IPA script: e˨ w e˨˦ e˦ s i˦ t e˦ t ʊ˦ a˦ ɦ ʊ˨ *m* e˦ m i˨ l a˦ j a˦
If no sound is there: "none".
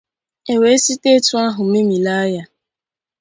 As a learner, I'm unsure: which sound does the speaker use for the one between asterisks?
m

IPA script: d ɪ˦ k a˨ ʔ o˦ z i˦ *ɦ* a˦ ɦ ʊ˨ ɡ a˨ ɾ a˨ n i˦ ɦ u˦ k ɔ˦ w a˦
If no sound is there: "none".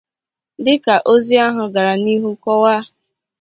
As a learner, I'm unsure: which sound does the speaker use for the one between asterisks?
none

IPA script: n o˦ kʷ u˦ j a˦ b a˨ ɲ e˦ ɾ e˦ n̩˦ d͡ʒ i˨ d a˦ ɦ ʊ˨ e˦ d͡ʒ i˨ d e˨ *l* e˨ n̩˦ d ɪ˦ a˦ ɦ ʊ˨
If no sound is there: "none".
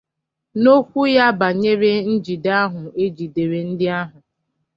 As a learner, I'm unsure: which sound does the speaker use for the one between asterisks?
ɾ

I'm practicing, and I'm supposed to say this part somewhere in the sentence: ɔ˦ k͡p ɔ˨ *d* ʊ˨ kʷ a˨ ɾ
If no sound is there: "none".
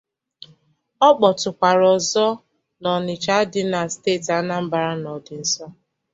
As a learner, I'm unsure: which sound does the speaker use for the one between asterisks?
t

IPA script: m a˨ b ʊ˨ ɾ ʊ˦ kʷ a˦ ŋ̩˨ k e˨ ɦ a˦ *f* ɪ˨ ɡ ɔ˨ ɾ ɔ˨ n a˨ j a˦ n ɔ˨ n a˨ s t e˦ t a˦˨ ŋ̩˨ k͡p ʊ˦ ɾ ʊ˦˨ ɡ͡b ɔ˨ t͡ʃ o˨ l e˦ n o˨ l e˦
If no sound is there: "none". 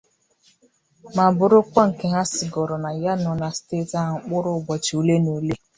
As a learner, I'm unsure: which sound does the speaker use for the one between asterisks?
s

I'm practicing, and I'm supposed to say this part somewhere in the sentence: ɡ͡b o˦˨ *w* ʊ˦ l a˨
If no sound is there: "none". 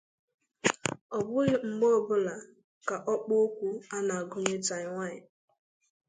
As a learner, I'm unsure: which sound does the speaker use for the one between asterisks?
b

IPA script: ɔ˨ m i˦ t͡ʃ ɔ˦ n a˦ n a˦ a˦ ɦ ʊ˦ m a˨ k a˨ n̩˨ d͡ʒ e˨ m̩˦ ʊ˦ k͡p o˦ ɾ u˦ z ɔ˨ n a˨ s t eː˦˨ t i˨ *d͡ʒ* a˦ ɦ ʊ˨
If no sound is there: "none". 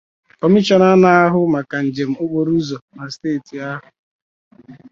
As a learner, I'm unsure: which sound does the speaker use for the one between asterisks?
none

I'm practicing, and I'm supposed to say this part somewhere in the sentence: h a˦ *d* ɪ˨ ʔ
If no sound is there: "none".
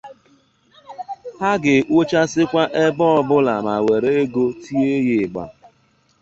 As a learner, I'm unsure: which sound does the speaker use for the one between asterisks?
ɡ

